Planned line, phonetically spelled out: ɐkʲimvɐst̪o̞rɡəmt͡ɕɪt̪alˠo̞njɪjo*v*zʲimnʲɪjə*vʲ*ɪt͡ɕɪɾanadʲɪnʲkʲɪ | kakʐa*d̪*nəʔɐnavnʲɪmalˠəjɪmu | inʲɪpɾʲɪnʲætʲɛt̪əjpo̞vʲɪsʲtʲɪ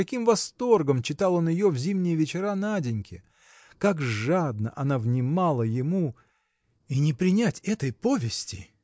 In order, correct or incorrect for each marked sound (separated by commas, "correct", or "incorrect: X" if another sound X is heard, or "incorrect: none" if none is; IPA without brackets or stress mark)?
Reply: correct, correct, correct